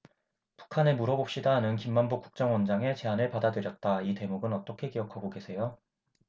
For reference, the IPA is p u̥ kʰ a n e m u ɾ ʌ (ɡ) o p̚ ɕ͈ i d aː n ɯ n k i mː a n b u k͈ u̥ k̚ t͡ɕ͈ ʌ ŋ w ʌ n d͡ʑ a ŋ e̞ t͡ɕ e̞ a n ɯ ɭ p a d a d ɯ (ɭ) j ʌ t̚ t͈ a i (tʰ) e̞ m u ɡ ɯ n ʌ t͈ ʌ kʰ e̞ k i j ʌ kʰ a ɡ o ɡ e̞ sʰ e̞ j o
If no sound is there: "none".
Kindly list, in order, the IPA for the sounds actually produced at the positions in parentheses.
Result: b, ɾ, t

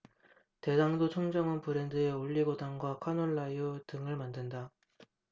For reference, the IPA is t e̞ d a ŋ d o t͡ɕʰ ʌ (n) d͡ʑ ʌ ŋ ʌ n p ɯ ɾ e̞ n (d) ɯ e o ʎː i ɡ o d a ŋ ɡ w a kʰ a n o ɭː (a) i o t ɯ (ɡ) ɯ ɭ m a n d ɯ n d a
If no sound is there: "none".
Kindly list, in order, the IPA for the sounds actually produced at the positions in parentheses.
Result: ŋ, d, a, ŋ

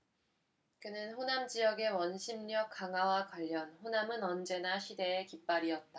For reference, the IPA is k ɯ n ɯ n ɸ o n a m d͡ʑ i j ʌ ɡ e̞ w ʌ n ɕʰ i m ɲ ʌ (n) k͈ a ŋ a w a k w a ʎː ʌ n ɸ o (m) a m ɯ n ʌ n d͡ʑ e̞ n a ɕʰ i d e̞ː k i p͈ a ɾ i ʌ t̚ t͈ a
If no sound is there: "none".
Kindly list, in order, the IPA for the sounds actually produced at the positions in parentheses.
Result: none, n

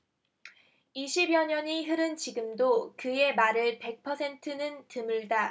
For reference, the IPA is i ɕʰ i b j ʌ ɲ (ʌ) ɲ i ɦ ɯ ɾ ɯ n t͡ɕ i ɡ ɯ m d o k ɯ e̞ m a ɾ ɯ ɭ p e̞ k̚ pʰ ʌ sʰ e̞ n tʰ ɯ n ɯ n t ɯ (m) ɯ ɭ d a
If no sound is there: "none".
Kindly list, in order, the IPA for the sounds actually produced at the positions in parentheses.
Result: ʌ, m

